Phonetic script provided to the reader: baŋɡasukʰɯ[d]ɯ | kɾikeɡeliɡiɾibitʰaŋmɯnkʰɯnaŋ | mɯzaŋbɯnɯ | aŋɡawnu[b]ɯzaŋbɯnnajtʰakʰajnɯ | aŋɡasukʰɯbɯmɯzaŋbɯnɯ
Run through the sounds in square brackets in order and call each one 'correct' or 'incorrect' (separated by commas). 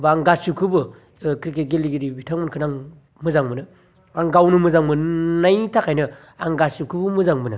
incorrect, incorrect